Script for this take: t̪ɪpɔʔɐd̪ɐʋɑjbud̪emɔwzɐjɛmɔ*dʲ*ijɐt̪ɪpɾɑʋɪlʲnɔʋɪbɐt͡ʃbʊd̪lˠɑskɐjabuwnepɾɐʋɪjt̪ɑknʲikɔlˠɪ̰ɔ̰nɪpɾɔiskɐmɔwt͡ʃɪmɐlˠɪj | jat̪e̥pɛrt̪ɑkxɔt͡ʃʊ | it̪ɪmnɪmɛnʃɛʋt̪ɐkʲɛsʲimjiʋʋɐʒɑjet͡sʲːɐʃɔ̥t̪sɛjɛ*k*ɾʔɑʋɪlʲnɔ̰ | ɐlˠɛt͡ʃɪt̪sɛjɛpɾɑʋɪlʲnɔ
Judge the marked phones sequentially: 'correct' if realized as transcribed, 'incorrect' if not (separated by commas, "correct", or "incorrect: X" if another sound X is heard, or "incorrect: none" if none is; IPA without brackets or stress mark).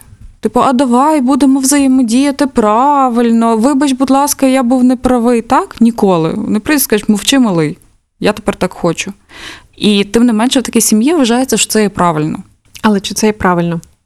correct, incorrect: p